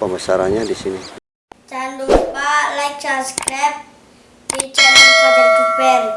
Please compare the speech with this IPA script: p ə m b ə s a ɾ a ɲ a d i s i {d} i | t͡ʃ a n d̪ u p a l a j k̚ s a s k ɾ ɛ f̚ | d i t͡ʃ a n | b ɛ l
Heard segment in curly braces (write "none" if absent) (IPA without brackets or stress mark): n